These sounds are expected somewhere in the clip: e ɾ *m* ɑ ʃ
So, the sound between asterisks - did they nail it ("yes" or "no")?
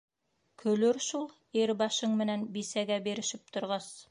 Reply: no